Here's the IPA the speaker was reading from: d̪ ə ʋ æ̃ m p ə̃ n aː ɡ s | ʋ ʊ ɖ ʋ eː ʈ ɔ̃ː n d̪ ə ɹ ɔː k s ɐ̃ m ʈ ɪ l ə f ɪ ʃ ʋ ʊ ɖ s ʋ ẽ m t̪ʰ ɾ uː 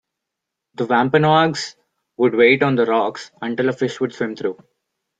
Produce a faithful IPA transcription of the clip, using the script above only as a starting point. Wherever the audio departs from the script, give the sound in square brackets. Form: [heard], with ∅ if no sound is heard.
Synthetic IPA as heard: d̪ ə ʋ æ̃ m p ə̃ n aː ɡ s | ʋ ʊ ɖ ʋ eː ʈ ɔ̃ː n d̪ ə [ɾ] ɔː k s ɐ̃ [ɳ] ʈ ɪ l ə f ɪ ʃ ʋ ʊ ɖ s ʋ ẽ m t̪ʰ ɾ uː

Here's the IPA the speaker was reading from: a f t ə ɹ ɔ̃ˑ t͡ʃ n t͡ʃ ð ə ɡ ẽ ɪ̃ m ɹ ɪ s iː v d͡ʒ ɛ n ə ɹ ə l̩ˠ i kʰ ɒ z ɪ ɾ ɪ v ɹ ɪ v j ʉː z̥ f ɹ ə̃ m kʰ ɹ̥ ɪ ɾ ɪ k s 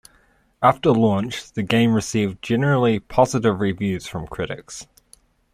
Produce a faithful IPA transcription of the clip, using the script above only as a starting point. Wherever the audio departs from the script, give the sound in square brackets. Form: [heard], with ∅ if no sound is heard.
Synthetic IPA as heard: a f t ə [l] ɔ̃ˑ [∅] n t͡ʃ ð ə ɡ ẽ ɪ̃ m ɹ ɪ s iː v d͡ʒ ɛ n ə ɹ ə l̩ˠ i [pʰ] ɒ z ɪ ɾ ɪ v ɹ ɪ v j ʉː z̥ f ɹ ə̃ m kʰ ɹ̥ ɪ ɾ ɪ k s

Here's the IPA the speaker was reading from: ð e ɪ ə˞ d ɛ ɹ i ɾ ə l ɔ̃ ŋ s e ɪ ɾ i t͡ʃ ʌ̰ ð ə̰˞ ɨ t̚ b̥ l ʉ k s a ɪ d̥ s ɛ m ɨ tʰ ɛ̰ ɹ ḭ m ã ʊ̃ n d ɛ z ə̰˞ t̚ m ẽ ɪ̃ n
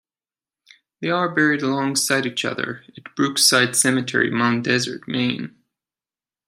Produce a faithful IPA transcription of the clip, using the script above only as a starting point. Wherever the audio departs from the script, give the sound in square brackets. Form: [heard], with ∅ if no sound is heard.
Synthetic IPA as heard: ð e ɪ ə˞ [b] ɛ ɹ i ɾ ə l ɔ̃ ŋ s [a] ɪ ɾ i t͡ʃ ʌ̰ ð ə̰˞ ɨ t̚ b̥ [ɹ] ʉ k s a ɪ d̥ s ɛ m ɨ tʰ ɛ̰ ɹ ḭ m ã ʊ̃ n d ɛ z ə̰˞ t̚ m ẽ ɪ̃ n

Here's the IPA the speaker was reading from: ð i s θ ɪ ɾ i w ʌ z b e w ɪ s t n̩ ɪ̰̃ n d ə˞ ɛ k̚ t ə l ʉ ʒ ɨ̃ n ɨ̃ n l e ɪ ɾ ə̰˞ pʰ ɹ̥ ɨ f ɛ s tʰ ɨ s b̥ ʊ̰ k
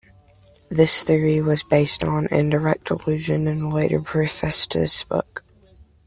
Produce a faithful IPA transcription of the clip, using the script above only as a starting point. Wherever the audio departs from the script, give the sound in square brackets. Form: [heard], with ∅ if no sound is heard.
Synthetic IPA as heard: ð [ɪ] s θ ɪ [ɹ] i w ʌ z b e [∅] ɪ s t n̩ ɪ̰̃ n d ə˞ ɛ k̚ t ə l ʉ ʒ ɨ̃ n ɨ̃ n l e ɪ ɾ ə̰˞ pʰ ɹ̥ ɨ f ɛ s tʰ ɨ s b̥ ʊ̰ k

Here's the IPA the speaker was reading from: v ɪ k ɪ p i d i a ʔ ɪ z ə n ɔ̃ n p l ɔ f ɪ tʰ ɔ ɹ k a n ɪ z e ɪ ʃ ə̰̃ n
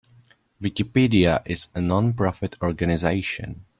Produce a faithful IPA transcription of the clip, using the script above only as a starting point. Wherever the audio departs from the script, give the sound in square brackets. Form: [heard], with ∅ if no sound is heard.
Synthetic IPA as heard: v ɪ k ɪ p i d i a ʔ ɪ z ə n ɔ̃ n p [ɹ] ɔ f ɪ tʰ ɔ ɹ [ɡ] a n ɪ z e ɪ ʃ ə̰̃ n

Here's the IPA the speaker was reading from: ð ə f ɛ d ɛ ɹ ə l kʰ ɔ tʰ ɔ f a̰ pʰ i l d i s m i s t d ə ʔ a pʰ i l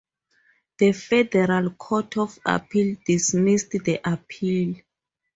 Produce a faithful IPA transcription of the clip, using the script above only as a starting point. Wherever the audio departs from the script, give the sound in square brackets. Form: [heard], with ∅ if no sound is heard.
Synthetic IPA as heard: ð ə f ɛ d ɛ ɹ [a] l kʰ ɔ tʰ ɔ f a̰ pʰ i l d i s m i s t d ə ʔ a pʰ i l

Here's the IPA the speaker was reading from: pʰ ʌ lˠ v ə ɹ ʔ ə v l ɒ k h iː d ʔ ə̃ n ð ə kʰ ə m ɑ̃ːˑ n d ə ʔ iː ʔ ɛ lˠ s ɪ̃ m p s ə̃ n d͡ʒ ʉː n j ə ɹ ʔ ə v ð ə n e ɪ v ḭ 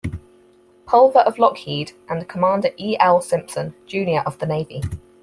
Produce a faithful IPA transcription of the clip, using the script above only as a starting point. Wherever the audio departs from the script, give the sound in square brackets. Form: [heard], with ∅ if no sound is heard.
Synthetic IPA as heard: pʰ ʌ lˠ v ə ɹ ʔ ə v l ɒ k h iː d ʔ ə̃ n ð ə kʰ ə m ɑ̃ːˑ n d ə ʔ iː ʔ ɛ lˠ s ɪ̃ m p s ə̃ n d͡ʒ ʉː n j ə ɹ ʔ ə v ð ə n e ɪ v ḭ

